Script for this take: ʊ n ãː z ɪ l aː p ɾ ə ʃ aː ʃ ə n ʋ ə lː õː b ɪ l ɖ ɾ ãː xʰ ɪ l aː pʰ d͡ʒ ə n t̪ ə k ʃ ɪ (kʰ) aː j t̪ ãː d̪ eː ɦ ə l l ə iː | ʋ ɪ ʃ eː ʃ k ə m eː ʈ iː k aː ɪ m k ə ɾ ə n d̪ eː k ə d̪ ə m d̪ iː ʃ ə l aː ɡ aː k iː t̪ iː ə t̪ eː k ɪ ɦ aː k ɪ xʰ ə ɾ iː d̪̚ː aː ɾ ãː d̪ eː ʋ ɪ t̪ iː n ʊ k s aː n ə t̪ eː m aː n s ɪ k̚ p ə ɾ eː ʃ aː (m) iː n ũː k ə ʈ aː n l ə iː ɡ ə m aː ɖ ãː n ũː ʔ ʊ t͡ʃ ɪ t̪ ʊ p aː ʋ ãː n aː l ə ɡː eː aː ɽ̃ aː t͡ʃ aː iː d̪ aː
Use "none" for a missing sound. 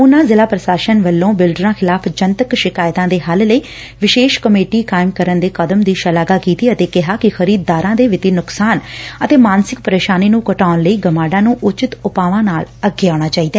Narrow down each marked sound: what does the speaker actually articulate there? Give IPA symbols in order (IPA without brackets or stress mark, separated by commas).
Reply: k, n